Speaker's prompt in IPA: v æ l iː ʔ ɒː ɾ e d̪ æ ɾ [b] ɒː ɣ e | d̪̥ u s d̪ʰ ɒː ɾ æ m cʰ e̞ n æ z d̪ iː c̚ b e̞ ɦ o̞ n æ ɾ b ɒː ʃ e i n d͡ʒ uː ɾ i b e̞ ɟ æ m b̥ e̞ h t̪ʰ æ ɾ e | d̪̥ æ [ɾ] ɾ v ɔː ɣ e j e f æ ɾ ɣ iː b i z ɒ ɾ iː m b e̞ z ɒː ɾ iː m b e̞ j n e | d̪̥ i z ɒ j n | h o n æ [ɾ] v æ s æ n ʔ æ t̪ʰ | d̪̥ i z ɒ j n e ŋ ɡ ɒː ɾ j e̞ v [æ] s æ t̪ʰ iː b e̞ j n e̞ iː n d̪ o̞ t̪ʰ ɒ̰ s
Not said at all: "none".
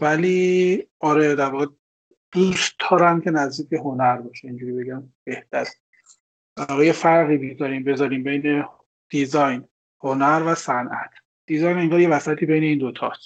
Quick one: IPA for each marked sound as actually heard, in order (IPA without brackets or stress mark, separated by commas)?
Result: v, ɾ, ɾ, æ